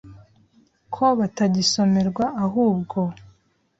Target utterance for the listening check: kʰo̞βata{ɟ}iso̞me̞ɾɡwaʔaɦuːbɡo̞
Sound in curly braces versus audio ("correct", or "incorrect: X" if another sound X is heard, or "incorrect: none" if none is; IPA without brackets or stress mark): correct